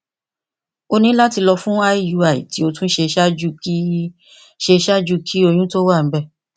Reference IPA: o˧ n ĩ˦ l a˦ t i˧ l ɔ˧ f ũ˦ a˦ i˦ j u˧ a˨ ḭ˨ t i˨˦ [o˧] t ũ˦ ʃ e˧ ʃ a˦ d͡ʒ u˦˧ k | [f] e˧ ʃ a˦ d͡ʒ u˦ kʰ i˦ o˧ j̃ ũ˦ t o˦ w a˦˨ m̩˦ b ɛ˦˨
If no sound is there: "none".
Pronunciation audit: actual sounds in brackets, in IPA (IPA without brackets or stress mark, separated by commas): o˧, ʃ